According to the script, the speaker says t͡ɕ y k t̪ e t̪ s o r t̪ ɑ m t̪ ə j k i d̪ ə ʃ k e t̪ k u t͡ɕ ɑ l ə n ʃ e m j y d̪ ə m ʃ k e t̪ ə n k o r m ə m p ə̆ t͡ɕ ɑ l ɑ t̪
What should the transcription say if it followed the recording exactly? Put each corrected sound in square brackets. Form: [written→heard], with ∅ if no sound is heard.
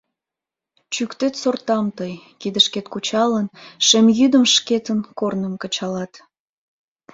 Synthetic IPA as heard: t͡ɕ y k t̪ e t̪ s o r t̪ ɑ m t̪ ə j k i d̪ ə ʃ k e t̪ k u t͡ɕ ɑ l ə n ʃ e m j y d̪ ə m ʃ k e t̪ ə n k o r [m→n] ə m [p→k] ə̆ t͡ɕ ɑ l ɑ t̪